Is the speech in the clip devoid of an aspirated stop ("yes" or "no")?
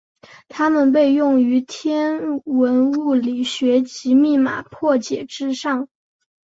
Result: no